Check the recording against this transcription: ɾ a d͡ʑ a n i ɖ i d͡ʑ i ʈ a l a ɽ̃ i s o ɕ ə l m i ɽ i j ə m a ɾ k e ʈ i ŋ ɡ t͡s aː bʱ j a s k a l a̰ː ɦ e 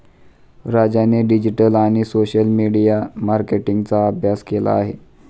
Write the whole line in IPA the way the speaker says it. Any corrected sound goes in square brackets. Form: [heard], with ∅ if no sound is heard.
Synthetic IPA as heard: ɾ a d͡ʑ a n [e] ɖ i d͡ʑ i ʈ [ə] l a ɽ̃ i s o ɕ ə l m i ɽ i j [a] m a ɾ k e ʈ i ŋ ɡ t͡s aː bʱ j a s k [e] l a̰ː ɦ e